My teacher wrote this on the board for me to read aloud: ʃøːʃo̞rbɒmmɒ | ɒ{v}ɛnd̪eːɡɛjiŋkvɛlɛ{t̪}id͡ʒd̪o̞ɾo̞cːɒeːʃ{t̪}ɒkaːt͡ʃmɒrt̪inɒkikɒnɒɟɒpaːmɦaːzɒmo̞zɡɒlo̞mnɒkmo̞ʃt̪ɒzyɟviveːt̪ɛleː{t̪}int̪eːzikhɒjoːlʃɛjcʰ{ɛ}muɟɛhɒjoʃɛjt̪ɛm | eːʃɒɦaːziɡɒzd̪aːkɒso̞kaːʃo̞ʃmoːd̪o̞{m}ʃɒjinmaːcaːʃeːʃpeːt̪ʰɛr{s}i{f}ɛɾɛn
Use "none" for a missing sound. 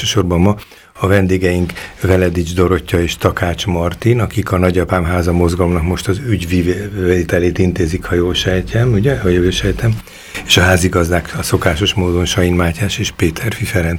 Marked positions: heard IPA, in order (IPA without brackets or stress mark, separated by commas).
v, d̪, t̪, t̪, ɛ, n, f, f